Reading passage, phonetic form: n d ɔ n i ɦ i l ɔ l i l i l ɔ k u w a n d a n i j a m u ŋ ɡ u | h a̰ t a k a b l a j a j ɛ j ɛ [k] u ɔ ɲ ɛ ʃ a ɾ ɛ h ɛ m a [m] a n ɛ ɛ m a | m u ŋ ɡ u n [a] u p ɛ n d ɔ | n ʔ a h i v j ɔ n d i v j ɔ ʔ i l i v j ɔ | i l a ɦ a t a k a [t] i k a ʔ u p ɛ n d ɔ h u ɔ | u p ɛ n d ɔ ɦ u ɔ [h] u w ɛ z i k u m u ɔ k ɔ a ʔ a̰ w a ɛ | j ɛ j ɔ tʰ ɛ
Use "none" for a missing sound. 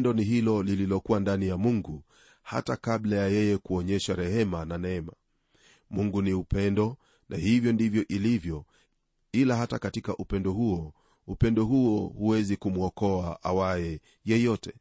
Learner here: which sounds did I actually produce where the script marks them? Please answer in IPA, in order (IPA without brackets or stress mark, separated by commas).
k, n, i, t, h